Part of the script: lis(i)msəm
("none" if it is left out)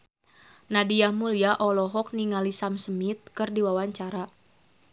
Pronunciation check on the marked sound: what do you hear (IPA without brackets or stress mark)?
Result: a